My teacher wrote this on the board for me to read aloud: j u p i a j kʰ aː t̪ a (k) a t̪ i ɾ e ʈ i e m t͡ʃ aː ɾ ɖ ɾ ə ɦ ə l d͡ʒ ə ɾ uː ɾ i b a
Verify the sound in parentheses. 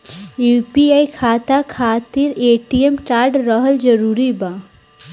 incorrect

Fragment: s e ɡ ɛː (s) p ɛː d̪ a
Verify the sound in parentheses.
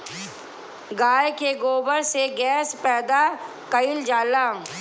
correct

